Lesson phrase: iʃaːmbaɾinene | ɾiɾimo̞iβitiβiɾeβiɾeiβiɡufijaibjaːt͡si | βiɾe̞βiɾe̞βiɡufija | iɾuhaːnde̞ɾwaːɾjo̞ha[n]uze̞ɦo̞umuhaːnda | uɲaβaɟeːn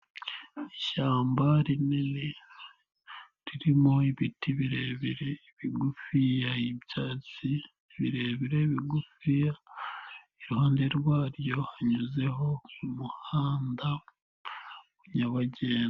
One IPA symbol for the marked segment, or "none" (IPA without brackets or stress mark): ɲ